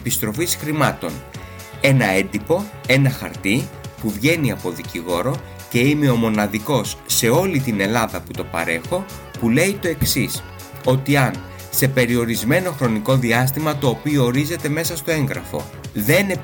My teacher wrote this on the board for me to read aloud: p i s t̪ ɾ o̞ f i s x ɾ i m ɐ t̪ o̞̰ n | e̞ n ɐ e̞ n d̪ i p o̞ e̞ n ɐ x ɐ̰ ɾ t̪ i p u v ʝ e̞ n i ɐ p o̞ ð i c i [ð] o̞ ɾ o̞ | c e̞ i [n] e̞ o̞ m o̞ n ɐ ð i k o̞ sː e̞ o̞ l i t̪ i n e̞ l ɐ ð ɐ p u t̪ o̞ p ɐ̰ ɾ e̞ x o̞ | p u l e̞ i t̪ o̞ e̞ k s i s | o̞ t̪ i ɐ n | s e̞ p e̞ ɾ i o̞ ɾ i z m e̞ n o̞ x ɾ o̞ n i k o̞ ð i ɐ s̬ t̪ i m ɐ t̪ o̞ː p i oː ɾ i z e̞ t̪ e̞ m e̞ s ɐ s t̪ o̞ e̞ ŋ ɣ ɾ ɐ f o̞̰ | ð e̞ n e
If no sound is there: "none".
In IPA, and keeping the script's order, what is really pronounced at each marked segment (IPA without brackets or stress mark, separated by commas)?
ɣ, m